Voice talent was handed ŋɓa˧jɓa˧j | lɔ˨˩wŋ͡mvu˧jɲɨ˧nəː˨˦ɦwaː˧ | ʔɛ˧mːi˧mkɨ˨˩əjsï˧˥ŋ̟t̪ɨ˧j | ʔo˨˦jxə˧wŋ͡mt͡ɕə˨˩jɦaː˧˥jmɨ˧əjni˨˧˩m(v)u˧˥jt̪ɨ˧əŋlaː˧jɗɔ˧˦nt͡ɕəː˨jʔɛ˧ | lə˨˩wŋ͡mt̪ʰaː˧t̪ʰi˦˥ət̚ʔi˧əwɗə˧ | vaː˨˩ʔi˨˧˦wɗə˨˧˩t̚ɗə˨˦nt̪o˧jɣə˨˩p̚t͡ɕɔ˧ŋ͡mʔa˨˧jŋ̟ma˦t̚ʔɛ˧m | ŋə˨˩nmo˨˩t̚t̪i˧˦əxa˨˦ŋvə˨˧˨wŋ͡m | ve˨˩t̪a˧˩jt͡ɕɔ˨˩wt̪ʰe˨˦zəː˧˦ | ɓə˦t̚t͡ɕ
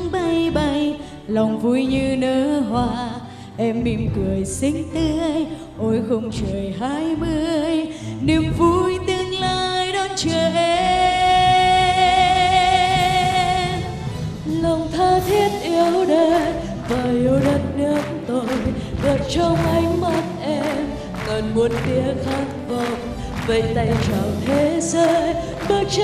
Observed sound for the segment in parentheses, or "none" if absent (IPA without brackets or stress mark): v